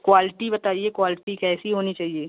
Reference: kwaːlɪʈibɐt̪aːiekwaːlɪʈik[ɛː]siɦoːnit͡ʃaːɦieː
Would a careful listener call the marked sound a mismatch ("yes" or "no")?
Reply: no